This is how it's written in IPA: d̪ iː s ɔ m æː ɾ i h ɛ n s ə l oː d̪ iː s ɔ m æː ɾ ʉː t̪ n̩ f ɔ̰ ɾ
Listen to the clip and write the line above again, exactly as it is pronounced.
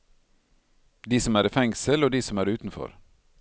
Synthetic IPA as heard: d̪ iː s ɔ m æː ɾ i f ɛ ŋ s ə l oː d̪ iː s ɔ m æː ɾ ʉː t̪ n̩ f ɔ̰ ɾ